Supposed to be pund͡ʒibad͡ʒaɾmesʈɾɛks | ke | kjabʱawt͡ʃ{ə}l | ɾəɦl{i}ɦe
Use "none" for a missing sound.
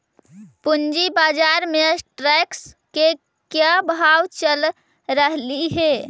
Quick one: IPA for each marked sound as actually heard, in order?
ə, i

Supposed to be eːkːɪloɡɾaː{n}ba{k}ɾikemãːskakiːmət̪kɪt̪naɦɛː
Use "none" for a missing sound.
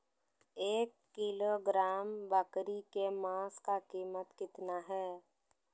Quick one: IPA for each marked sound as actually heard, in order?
m, k

